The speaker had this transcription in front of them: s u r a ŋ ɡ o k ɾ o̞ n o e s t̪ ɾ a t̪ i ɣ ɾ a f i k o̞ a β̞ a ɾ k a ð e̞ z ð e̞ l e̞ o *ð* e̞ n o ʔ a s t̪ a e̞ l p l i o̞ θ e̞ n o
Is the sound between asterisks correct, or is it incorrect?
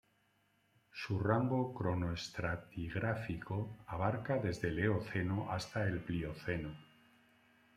incorrect